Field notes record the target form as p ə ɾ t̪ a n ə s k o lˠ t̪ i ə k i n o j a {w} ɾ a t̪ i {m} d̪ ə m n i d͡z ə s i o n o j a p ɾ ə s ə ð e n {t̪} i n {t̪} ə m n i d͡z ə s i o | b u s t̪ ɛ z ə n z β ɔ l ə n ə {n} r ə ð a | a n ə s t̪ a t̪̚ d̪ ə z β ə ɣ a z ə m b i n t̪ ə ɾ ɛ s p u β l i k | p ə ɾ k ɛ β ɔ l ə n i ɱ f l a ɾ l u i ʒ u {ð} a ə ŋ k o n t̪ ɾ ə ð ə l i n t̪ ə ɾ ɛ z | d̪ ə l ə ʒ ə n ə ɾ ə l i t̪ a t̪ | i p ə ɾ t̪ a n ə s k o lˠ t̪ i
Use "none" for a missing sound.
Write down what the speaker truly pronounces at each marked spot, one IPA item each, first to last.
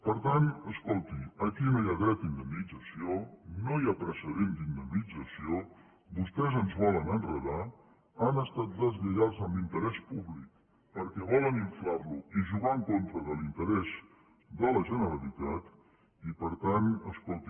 ɣ, n, d̪, d̪, n, ɣ

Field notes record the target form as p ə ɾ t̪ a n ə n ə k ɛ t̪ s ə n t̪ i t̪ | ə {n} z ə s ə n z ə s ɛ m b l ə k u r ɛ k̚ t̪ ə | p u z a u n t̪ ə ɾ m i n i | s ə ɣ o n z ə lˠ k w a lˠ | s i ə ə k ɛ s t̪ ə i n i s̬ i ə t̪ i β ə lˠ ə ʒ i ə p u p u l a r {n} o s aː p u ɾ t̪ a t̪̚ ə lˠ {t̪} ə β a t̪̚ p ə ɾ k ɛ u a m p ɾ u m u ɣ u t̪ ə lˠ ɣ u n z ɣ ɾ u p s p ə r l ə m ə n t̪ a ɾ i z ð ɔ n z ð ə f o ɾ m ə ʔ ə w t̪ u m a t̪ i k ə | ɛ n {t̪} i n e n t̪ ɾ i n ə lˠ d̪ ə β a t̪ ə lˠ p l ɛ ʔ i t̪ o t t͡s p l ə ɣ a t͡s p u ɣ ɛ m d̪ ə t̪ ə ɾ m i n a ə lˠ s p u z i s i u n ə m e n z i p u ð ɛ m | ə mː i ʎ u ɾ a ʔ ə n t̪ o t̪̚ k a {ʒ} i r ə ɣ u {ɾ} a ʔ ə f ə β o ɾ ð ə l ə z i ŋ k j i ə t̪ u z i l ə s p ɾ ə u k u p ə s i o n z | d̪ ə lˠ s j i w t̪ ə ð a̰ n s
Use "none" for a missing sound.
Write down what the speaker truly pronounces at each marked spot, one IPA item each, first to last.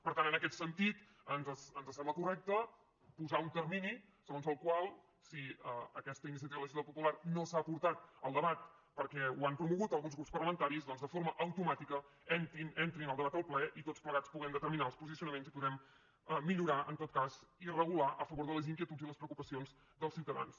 n, n, d̪, t̪, z, l

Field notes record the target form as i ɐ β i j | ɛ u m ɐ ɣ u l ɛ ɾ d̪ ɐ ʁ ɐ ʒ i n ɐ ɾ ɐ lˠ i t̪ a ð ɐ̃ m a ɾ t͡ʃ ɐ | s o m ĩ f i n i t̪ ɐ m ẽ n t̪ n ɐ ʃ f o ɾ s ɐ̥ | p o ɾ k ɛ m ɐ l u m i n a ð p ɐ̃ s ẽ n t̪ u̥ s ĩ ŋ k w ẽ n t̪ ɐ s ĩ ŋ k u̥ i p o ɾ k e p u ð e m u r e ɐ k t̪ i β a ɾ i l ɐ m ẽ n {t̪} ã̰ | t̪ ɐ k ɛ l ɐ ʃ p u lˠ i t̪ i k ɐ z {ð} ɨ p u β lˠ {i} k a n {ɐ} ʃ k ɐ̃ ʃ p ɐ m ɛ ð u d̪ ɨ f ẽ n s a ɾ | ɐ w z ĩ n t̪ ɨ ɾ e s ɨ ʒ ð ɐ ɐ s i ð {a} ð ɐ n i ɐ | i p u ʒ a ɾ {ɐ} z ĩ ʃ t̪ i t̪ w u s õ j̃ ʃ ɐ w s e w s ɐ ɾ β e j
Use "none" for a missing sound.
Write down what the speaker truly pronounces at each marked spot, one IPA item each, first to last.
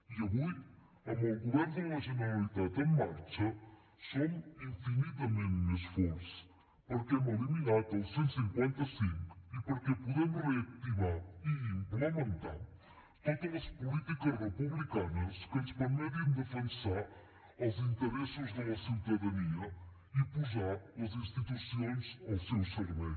t̪, ʁ, i, ɐ, ɐ, ɐ

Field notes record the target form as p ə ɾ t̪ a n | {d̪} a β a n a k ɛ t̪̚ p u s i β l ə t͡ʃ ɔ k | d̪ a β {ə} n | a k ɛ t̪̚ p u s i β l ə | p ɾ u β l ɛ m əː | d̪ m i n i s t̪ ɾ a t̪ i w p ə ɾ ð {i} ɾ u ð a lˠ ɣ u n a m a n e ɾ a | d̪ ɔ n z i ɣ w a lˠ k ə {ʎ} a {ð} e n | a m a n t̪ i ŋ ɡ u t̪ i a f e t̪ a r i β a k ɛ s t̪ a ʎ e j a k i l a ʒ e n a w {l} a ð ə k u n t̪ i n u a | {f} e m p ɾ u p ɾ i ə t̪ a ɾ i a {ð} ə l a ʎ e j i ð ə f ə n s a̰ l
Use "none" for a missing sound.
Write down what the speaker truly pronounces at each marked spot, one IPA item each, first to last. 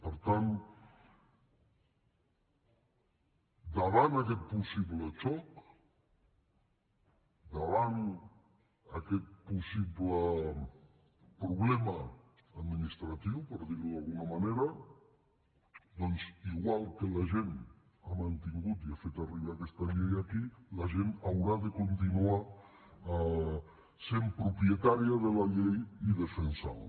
d̪, a, i, l, ʒ, ɾ, s, ð

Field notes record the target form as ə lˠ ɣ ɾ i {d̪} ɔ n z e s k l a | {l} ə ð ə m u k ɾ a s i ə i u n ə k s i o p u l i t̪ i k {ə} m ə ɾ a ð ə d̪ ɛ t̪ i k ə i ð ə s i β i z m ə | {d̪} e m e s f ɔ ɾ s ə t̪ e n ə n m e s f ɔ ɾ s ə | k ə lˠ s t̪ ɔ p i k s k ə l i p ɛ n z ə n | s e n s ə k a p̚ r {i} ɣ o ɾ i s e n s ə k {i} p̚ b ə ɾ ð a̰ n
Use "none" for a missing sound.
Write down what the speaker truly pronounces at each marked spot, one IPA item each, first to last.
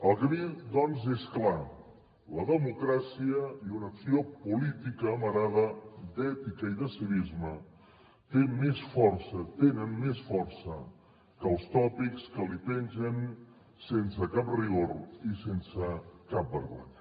d̪, l, əː, t̪, i, a

